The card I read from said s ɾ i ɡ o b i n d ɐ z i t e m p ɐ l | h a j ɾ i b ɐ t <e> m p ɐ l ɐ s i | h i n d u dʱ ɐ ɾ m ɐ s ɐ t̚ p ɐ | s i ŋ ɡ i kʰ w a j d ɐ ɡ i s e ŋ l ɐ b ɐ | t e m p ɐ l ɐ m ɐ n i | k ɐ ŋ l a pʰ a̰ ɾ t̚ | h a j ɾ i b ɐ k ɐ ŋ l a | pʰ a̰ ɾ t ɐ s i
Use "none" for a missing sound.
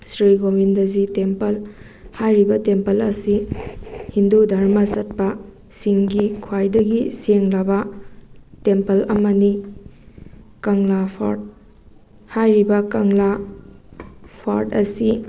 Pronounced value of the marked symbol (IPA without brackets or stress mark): e